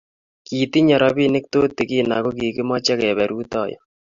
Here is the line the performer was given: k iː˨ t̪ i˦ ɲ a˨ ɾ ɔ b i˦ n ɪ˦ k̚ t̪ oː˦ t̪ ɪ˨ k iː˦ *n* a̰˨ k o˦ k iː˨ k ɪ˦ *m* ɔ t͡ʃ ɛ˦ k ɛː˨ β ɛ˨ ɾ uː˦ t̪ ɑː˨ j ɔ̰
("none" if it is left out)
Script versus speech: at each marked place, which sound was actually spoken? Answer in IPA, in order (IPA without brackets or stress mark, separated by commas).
n, m